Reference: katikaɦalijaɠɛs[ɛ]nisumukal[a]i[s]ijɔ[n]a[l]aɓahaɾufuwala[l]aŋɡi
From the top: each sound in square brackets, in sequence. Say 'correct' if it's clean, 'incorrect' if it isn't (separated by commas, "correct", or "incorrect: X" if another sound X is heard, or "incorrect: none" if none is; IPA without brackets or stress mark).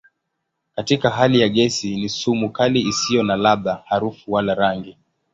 incorrect: i, incorrect: i, correct, correct, correct, incorrect: ɾ